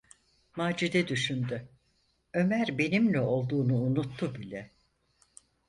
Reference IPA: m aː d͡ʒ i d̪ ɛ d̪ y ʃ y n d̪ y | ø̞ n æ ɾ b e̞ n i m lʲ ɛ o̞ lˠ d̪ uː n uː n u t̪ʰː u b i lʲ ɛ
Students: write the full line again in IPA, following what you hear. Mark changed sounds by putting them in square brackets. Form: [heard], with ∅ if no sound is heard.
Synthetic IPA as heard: m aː d͡ʒ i d̪ ɛ d̪ y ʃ y n d̪ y | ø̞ [m] æ ɾ b e̞ n i m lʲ ɛ o̞ lˠ d̪ uː n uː n u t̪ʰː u b i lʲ ɛ